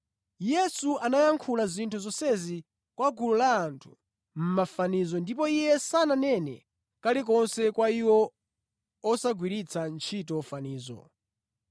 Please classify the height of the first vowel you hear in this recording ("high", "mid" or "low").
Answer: mid